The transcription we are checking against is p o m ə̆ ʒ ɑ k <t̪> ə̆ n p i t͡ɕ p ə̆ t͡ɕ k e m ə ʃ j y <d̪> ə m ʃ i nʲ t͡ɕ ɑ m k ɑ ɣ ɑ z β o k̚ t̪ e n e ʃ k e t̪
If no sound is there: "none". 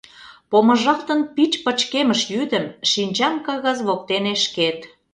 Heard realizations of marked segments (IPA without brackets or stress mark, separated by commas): t̪, d̪